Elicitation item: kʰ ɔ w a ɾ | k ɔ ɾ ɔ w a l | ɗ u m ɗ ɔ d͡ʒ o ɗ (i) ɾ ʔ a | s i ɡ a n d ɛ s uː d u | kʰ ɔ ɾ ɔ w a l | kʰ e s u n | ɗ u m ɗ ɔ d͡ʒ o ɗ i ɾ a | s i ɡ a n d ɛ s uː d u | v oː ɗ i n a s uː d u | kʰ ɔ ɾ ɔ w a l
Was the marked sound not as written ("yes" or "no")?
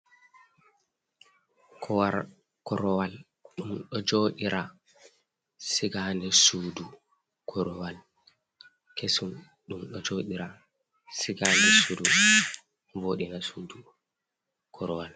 no